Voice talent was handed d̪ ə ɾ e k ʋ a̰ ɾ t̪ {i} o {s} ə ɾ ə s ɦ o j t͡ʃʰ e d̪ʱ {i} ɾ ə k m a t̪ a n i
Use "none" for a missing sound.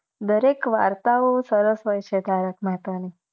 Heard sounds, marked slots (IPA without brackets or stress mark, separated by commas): a, s, a